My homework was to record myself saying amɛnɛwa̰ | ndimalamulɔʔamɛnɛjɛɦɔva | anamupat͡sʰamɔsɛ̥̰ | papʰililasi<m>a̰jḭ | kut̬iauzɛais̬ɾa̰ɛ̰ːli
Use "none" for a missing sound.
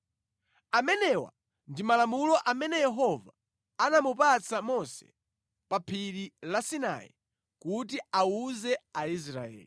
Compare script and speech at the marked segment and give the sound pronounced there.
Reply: n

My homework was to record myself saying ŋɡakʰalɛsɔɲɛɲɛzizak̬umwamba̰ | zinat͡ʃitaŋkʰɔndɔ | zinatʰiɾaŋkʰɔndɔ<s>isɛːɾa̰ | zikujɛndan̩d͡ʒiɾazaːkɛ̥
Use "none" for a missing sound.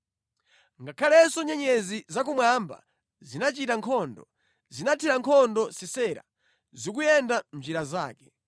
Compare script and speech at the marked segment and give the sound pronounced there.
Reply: s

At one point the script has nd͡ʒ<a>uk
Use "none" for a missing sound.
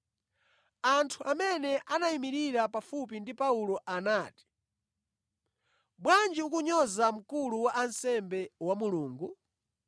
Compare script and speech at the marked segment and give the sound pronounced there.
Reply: i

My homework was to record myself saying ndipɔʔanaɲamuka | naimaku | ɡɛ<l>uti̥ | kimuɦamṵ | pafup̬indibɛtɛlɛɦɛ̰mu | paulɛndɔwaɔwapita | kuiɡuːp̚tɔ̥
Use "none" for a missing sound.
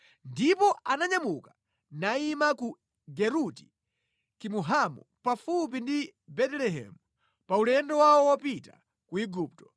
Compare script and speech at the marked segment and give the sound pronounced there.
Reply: ɾ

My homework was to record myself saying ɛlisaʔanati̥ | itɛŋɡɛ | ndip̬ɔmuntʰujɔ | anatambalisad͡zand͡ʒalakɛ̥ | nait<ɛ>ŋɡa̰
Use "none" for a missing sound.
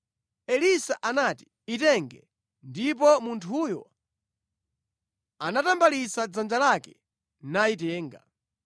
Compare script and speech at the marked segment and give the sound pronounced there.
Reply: ɛː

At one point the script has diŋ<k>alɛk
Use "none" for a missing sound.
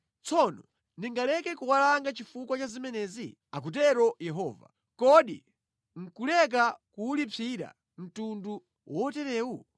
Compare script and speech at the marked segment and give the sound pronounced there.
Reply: ɡ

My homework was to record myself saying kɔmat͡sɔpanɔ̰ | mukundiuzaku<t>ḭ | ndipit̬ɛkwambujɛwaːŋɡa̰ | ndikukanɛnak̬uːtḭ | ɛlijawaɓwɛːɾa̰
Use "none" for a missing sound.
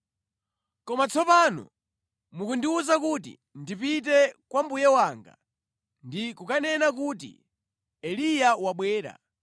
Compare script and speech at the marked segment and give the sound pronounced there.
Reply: t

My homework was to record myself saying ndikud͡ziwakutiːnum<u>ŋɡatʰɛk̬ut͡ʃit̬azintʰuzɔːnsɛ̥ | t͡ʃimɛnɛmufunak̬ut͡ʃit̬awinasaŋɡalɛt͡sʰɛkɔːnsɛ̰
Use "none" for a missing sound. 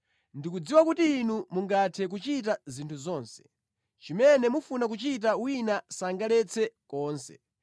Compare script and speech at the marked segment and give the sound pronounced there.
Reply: u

